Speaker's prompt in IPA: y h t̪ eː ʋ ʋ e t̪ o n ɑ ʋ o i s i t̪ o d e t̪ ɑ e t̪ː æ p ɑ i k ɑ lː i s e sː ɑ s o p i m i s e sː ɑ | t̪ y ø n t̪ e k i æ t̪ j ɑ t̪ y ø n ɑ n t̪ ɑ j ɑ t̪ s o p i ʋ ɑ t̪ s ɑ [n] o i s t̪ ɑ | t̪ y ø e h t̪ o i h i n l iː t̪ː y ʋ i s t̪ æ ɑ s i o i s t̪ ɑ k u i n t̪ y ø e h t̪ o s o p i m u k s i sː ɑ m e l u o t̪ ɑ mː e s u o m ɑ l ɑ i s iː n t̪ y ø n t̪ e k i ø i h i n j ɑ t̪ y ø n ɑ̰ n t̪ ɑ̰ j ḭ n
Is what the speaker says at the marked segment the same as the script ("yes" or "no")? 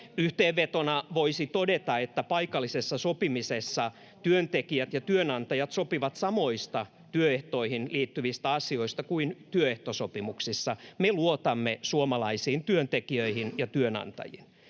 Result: no